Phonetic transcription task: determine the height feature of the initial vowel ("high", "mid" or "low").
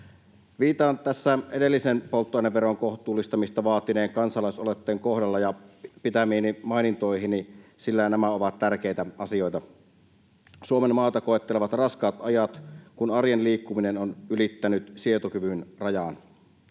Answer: high